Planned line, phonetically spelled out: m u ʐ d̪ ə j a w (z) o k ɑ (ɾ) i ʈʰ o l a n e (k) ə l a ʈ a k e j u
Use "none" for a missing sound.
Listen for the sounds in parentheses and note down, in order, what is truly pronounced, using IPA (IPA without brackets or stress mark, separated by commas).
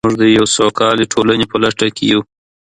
s, l, p